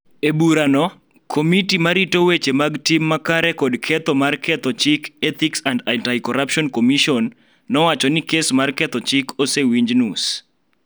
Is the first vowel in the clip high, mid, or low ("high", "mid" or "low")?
mid